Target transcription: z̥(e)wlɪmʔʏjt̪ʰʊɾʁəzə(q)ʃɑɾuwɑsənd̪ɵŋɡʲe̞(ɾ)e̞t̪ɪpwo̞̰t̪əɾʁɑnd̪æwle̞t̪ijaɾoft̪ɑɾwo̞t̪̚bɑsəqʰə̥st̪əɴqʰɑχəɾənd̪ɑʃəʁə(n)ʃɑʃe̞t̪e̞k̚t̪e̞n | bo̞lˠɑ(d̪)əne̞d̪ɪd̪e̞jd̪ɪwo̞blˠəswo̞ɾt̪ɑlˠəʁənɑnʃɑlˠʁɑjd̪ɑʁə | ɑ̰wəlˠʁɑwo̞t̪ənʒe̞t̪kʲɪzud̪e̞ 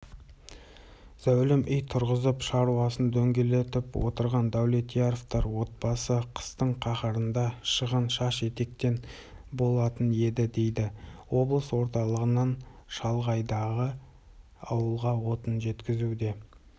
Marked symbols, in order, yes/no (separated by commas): no, no, no, yes, no